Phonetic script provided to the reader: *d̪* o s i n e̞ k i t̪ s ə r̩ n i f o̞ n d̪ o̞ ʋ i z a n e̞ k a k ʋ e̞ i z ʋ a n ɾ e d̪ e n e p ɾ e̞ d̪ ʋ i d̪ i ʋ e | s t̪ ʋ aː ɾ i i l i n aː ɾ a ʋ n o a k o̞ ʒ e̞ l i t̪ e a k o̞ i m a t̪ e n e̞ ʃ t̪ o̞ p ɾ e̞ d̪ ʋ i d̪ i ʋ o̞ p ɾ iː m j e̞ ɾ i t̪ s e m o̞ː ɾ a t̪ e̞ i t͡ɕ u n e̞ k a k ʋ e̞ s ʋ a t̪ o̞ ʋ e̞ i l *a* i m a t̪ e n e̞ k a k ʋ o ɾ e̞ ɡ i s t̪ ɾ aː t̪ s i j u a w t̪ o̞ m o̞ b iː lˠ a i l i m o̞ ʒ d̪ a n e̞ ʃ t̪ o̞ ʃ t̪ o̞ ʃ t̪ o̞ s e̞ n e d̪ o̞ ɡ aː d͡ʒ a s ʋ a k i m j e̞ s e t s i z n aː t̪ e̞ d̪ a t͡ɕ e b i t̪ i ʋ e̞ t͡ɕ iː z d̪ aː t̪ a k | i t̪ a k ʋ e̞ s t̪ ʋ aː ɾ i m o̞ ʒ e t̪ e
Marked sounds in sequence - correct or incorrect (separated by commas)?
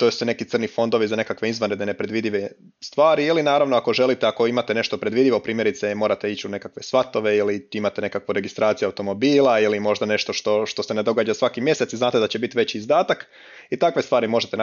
incorrect, incorrect